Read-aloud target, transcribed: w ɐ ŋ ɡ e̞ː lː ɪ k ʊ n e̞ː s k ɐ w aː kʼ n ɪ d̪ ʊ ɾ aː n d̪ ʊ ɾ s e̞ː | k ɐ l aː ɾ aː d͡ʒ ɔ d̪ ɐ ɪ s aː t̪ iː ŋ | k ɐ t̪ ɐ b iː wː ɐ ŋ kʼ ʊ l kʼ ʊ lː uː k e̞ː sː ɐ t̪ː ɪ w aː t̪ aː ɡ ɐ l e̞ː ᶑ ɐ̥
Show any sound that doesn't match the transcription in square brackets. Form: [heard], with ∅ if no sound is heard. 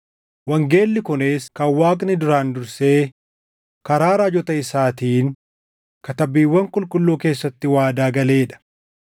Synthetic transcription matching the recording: w ɐ ŋ ɡ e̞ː lː ɪ k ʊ n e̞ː s k ɐ w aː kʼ n ɪ d̪ ʊ ɾ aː n d̪ ʊ ɾ s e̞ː | k ɐ [ɾ] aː ɾ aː d͡ʒ ɔ [t̪] ɐ ɪ s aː t̪ iː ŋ | k ɐ t̪ ɐ b iː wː ɐ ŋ kʼ ʊ l kʼ ʊ lː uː k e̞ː sː ɐ t̪ː ɪ w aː [d̪] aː ɡ ɐ l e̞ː ᶑ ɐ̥